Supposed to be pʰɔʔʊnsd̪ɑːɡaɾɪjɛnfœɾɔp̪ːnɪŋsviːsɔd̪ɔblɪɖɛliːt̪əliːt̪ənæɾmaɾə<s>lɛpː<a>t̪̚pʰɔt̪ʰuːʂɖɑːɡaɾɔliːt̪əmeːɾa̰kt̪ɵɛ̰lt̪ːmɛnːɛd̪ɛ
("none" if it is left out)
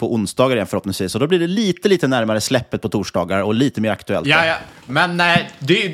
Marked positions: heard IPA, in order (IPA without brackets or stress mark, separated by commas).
s, ə